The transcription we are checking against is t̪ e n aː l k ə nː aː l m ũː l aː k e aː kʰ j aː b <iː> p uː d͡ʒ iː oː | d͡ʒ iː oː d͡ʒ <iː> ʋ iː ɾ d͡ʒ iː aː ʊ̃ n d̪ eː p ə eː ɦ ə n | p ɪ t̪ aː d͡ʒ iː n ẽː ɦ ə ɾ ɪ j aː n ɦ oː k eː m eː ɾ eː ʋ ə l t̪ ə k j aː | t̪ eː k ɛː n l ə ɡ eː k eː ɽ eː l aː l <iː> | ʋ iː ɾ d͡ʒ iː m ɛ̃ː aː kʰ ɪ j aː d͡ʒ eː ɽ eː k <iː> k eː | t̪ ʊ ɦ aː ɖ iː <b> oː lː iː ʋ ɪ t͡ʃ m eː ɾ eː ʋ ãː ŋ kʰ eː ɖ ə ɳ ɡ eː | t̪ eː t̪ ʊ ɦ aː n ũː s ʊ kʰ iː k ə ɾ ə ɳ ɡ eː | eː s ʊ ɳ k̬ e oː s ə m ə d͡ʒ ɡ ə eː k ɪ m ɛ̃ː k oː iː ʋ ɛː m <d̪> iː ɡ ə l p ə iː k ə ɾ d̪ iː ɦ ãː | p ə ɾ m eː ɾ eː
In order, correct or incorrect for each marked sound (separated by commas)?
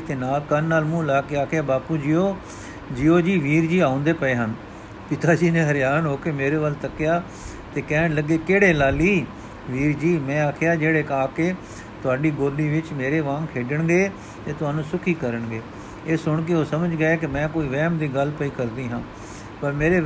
incorrect, correct, correct, incorrect, incorrect, correct